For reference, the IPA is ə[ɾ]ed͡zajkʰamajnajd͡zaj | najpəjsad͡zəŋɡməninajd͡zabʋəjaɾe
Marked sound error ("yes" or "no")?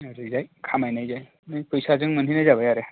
no